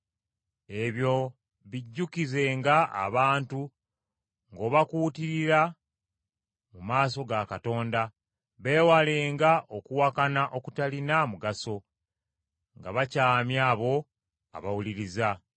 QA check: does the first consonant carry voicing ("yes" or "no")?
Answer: yes